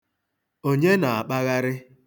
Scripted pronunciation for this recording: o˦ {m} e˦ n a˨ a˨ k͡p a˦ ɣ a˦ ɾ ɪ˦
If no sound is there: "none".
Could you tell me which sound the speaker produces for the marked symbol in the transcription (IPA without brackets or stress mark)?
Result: ɲ